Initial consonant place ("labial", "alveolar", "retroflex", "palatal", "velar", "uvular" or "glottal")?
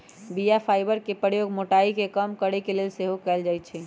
labial